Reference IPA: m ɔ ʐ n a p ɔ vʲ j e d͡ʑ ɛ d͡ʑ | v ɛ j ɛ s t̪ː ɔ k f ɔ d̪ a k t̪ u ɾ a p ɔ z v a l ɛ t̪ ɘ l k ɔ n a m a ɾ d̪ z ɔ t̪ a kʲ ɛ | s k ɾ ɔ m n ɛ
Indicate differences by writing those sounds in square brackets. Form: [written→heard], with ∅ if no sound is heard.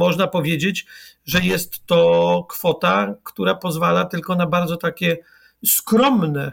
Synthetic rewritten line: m ɔ ʐ n a p ɔ vʲ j e d͡ʑ [ɛ→e] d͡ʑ | [v→ʐ] ɛ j ɛ s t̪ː ɔ k f ɔ [d̪→t̪] a k t̪ u ɾ a p ɔ z v a l [ɛ→a] t̪ ɘ l k ɔ n a [m→b] a ɾ d̪ z ɔ t̪ a kʲ ɛ | s k ɾ ɔ m n ɛ